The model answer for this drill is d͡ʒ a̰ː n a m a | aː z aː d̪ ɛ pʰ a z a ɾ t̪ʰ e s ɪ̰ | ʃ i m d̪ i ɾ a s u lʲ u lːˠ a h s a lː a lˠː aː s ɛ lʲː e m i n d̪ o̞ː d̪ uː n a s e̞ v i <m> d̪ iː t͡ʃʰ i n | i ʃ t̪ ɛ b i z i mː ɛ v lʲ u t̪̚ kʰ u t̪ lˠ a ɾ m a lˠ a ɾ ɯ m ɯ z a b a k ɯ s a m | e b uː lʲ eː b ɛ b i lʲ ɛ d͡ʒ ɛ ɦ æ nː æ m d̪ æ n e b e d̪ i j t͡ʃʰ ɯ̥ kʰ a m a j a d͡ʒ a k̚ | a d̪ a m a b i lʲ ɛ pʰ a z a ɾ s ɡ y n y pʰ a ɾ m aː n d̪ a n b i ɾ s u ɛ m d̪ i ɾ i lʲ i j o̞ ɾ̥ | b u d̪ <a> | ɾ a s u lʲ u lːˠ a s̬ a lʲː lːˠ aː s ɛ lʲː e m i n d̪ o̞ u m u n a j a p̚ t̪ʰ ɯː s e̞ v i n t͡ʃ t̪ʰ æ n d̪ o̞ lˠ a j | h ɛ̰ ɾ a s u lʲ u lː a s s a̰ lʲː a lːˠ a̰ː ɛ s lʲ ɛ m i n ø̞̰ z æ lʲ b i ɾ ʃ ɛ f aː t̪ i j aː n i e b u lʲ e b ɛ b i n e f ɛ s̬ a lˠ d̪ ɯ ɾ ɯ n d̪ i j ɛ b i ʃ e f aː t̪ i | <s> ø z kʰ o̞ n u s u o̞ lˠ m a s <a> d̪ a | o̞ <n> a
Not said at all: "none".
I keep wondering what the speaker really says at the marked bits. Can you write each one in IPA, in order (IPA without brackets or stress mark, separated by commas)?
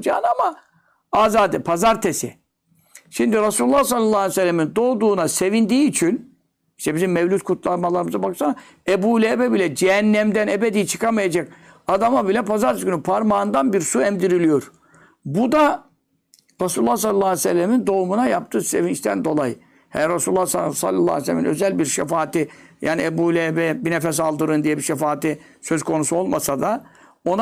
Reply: n, a, s, a, n